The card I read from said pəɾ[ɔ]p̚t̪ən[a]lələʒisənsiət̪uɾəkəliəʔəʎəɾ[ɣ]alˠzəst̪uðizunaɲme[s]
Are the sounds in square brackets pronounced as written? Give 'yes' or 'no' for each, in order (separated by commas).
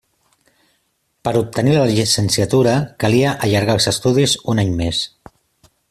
no, no, yes, yes